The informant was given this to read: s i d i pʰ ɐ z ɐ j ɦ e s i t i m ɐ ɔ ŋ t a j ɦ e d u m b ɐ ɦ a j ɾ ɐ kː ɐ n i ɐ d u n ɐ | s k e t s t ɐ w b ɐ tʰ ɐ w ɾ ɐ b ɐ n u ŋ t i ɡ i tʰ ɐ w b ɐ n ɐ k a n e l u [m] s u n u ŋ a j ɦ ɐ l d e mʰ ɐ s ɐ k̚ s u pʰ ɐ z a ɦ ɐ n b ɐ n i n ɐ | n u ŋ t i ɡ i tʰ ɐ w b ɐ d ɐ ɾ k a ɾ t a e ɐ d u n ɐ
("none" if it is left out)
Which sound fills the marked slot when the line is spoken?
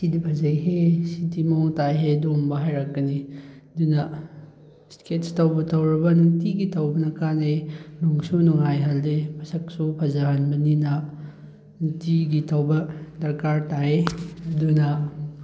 ŋ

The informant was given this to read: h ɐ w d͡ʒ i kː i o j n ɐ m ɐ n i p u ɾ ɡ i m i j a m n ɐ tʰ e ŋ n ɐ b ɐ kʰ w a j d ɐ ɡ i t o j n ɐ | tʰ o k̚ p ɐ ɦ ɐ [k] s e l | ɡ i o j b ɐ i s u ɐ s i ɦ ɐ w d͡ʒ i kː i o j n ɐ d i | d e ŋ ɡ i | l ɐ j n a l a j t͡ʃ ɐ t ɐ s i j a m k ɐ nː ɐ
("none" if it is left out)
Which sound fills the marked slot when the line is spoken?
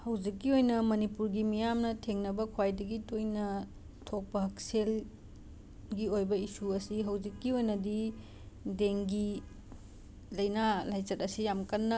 k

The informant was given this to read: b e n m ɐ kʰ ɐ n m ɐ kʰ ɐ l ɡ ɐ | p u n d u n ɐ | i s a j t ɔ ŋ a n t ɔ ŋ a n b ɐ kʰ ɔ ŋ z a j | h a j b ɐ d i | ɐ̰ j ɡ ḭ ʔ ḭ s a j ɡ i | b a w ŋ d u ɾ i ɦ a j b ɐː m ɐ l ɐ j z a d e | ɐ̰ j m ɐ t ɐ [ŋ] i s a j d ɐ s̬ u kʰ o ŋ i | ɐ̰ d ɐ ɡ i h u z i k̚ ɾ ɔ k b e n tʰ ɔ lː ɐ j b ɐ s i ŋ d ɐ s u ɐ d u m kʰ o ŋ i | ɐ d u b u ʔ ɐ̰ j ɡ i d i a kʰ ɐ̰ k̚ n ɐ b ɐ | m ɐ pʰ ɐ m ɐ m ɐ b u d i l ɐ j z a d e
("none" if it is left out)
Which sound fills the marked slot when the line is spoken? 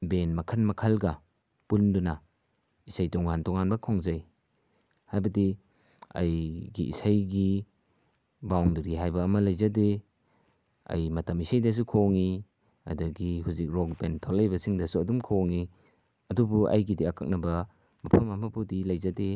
m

